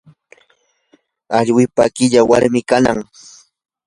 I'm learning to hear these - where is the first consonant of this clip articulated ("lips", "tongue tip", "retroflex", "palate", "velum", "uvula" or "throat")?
palate